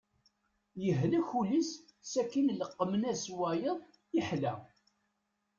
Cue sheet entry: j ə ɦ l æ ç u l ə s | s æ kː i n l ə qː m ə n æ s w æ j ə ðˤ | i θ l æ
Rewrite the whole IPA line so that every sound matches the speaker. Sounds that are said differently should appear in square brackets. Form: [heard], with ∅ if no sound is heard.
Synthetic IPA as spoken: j ə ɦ l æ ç u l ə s | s æ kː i n l ə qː m ə n æ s w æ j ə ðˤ | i [ħ] l æ